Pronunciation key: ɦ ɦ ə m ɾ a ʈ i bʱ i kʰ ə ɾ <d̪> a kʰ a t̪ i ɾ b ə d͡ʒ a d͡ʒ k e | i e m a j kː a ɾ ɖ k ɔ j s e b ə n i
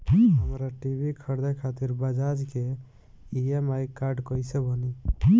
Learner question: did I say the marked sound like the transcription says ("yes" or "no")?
yes